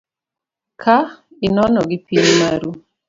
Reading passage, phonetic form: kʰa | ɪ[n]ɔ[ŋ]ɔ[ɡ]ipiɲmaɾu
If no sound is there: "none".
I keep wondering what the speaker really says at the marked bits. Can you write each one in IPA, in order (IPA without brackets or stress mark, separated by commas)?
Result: n, n, ɡ